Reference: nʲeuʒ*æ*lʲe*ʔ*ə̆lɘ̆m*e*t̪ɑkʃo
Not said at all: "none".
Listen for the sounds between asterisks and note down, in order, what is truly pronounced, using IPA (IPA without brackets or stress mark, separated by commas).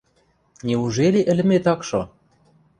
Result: e, ʔ, e